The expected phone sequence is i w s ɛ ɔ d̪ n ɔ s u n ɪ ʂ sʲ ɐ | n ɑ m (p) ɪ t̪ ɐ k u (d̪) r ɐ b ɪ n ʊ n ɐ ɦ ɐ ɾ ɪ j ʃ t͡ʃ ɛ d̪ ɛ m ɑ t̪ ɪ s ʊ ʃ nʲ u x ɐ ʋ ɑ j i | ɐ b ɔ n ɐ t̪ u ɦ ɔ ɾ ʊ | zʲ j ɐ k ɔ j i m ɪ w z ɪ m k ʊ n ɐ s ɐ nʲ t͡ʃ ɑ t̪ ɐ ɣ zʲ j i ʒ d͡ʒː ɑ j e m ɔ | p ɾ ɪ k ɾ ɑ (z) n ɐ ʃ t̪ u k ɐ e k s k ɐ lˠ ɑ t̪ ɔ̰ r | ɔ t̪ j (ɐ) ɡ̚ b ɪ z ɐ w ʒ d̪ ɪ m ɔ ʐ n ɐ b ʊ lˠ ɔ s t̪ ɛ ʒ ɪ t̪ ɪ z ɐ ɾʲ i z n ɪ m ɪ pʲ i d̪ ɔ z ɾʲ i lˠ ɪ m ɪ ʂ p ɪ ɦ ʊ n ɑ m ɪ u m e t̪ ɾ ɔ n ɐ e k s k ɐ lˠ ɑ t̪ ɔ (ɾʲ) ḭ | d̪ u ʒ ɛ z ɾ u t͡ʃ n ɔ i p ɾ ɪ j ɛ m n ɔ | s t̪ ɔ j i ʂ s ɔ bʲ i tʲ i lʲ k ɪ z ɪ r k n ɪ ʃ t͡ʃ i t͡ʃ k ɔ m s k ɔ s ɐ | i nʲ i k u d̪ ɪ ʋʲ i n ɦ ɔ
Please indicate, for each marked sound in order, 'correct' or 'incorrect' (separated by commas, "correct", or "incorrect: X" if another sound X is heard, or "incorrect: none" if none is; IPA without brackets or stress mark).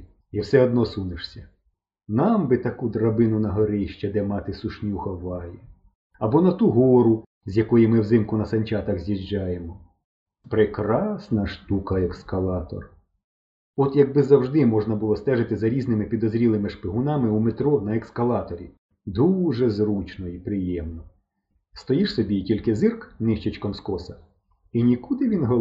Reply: incorrect: b, correct, incorrect: s, correct, correct